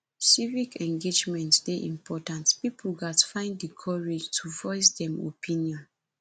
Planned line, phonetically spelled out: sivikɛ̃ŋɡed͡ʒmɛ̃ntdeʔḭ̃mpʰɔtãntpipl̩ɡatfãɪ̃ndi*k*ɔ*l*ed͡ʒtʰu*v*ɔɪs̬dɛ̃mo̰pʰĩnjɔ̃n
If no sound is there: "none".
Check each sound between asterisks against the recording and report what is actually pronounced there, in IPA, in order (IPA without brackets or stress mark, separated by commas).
kʰ, ɹ, v